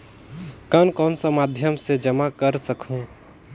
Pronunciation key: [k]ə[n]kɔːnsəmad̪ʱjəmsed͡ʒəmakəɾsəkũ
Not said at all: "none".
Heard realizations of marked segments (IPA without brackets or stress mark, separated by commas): k, n